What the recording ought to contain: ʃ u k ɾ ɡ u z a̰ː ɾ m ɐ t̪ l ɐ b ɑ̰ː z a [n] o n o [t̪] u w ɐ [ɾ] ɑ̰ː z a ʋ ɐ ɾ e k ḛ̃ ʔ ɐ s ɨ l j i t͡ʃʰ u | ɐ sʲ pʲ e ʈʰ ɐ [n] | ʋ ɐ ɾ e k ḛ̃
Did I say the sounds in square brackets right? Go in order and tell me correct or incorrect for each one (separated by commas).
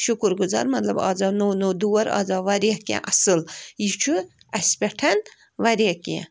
correct, incorrect, correct, correct